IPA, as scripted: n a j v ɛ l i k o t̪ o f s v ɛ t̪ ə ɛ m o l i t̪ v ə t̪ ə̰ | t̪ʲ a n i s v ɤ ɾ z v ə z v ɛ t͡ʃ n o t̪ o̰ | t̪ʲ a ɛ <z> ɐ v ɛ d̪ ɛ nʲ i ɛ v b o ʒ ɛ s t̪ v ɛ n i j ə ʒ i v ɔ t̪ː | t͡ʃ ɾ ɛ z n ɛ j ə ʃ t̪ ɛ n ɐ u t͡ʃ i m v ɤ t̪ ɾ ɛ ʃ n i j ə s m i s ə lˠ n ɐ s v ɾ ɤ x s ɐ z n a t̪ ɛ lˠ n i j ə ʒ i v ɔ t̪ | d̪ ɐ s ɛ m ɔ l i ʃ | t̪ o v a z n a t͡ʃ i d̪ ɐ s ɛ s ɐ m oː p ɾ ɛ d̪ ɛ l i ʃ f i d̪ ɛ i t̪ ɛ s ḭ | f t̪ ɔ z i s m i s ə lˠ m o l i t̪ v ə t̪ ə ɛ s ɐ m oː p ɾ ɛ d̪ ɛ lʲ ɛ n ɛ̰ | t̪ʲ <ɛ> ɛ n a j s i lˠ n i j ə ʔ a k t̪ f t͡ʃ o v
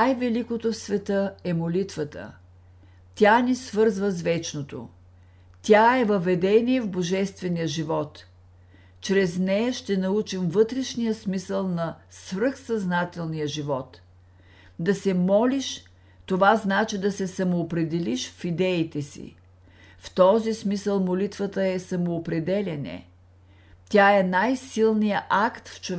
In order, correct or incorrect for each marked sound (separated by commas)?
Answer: incorrect, incorrect